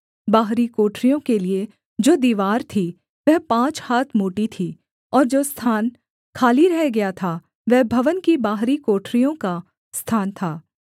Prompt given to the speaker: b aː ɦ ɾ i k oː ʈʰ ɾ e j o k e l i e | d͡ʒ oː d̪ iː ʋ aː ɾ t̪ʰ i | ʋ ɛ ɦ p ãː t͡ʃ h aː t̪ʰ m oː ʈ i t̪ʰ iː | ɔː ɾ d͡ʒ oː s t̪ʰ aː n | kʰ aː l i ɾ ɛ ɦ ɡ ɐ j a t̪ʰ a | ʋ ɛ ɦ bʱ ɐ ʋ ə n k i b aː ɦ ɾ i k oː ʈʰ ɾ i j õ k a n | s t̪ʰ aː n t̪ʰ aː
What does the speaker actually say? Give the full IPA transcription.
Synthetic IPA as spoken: b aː ɦ ɾ i k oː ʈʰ ɾ i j õ k e l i e | d͡ʒ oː d̪ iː ʋ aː ɾ t̪ʰ i | ʋ ɛ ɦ p ãː t͡ʃ h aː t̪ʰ m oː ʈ i t̪ʰ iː | ɔː ɾ d͡ʒ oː s t̪ʰ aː n | kʰ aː l i ɾ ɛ ɦ ɡ ɐ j a t̪ʰ a | ʋ ɛ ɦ bʱ ɐ ʋ ə n k i b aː ɦ ɾ i k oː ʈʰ ɾ i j õ k a | s t̪ʰ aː n t̪ʰ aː

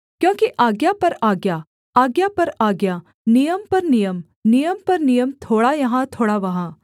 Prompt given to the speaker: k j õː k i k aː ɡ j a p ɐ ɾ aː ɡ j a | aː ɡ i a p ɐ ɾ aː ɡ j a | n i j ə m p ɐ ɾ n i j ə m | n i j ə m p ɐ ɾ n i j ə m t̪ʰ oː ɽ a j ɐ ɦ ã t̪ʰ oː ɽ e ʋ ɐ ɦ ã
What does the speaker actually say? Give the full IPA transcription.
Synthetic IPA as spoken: k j õː k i ʔ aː ɡ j a p ɐ ɾ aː ɡ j a | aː ɡ j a p ɐ ɾ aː ɡ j a | n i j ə m p ɐ ɾ n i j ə m | n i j ə m p ɐ ɾ n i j ə m t̪ʰ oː ɽ a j ɐ ɦ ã t̪ʰ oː ɽ a ʋ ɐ ɦ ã

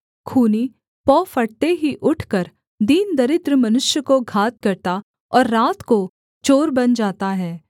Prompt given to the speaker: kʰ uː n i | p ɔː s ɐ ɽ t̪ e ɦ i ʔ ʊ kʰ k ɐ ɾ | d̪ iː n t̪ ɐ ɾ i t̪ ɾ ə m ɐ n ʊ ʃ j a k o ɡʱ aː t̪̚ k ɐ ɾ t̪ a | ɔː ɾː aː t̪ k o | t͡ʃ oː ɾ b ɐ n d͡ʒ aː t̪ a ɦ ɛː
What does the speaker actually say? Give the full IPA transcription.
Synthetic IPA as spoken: kʰ uː n i | p ɔː f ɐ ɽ t̪ e ɦ i ʔ ʊ ʈʰ k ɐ ɾ | d̪ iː n d̪ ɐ ɾ ɪ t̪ ɾ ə m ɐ n ʊ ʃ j ə k o ɡʱ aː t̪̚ k ɐ ɾ t̪ a | ɔː ɾː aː t̪ k o | t͡ʃ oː ɾ b ɐ n d͡ʒ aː t̪ a ɦ ɛː

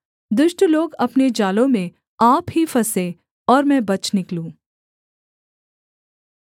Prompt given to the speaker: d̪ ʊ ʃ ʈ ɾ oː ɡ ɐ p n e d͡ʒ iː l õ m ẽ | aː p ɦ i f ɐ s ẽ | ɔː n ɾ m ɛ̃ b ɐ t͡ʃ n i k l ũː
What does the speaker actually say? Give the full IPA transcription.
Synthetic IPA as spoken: d̪ ʊ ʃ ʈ l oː ɡ ɐ p n e d͡ʒ aː l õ m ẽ | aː p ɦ i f ɐ s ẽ | ɔː ɾ m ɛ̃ b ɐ t͡ʃ n ɪ k l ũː

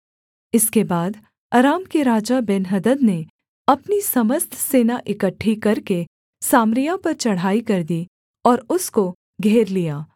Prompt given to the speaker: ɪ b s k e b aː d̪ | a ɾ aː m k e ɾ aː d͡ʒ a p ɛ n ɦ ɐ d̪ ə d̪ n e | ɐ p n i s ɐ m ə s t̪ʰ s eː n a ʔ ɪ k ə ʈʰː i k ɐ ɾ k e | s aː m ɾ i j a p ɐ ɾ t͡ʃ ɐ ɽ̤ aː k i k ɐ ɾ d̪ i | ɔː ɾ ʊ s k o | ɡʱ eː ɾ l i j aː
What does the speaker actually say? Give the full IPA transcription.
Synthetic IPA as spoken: ɪ s k e b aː d̪ | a ɾ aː m k e ɾ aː d͡ʒ a b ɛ n ɦ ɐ d̪ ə d̪ n e | ɐ p n i s ɐ m ə s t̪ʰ s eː n a ʔ ɪ k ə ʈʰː i k ɐ ɾ k e | s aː m ɾ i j a p ɐ ɾ t͡ʃ ɐ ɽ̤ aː i k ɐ ɾ d̪ i | ɔː ɾ ʊ s k o | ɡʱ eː ɾ l i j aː

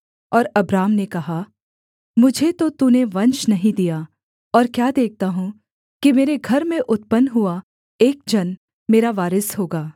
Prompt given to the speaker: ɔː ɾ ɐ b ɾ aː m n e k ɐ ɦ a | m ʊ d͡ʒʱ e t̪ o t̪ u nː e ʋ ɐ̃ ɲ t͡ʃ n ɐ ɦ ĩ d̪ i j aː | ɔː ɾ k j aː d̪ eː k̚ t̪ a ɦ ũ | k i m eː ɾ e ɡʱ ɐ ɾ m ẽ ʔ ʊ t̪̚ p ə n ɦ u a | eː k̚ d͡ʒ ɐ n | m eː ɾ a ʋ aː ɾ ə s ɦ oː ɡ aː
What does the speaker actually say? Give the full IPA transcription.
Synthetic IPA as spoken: ɔː ɾ ɐ b ɾ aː m n e k ɐ ɦ a | m ʊ d͡ʒʱ e t̪ o t̪ u n e ʋ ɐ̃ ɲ t͡ʃ n ɐ ɦ ĩ d̪ i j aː | ɔː ɾ k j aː d̪ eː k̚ t̪ a ɦ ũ | k i m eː ɾ e ɡʱ ɐ ɾ m ẽ ʔ ʊ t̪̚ p ə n ɦ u a | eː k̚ d͡ʒ ɐ n | m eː ɾ a ʋ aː ɾ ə s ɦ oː ɡ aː

